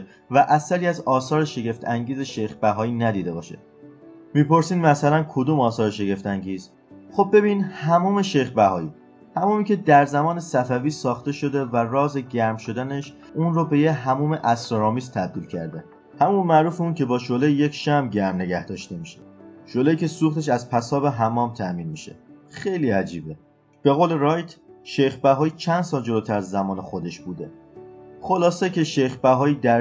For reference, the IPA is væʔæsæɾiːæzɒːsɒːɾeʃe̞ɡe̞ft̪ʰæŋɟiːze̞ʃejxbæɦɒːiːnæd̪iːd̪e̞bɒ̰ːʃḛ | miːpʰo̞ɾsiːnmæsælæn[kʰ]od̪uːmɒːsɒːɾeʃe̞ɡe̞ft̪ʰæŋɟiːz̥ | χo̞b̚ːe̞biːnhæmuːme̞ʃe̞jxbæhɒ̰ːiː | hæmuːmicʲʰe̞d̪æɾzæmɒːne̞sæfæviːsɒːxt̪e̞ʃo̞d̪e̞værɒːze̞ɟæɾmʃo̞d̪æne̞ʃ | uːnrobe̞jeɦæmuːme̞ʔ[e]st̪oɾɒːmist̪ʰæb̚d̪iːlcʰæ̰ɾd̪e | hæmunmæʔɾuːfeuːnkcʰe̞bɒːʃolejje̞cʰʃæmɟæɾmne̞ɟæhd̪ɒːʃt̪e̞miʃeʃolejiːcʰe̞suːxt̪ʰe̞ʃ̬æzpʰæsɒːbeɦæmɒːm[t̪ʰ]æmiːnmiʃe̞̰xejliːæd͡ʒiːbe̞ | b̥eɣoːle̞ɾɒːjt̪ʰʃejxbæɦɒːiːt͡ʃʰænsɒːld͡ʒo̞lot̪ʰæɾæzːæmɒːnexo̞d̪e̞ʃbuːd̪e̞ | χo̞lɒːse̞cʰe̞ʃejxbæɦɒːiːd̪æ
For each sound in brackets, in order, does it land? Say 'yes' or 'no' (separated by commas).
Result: yes, no, yes